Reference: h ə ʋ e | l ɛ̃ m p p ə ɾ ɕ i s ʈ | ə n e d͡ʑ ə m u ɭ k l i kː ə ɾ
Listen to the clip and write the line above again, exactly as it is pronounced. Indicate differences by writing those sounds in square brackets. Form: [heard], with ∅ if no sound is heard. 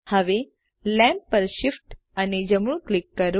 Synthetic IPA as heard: h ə ʋ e | l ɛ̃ m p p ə ɾ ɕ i [f] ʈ | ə n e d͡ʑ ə m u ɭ k l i kː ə ɾ